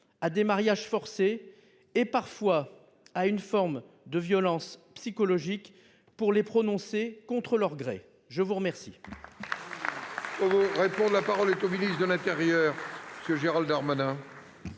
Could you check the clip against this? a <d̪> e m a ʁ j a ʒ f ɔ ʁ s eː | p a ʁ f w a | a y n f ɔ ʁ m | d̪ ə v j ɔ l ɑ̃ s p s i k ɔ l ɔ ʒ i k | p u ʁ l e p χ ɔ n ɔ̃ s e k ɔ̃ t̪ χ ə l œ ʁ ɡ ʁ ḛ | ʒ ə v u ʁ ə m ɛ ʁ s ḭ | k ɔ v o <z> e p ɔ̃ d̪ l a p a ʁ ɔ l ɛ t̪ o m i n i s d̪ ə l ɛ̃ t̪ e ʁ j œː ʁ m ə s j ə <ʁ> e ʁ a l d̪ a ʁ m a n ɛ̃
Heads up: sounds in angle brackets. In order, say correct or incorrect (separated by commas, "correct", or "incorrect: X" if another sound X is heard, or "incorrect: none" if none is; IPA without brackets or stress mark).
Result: correct, incorrect: ʁ, incorrect: ʒ